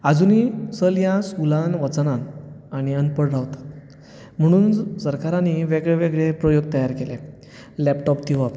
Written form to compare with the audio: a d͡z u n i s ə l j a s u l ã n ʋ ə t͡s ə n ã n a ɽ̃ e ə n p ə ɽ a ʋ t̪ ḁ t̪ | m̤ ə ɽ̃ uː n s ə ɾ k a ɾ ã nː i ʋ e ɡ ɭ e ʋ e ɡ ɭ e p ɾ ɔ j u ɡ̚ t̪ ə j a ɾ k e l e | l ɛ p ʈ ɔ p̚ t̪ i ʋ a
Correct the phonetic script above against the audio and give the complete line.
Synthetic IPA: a d͡z u n i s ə l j a s u l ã n ʋ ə t͡s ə n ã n a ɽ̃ i ə n p ə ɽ a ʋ t̪ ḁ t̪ | m̤ ə ɽ̃ uː n s ə ɾ k a ɾ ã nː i ʋ e ɡ ɭ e ʋ e ɡ ɭ e p ɾ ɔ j o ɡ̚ t̪ ə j a ɾ k e l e | l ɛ p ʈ ɔ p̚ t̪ i ʋ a